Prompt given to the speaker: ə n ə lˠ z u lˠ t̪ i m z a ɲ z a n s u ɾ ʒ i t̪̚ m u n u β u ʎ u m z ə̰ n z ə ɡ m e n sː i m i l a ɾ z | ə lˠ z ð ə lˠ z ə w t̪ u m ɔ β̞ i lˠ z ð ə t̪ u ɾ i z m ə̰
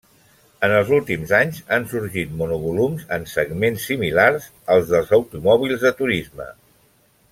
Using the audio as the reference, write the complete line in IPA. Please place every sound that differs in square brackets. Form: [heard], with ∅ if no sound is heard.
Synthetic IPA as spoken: ə n ə lˠ z u lˠ t̪ i m z a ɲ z a n s u ɾ ʒ i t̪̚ m u n u β u [l] u m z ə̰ n [s] ə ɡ m e n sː i m i l a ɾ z | ə lˠ z ð ə lˠ z ə w t̪ u m ɔ β̞ i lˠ z ð ə t̪ u ɾ i z m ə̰